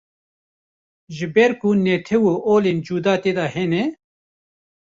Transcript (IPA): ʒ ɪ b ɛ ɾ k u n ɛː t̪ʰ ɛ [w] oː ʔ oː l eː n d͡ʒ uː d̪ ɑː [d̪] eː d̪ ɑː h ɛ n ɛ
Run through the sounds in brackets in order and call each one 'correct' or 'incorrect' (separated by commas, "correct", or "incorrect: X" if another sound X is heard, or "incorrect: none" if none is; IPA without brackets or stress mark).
correct, incorrect: t̪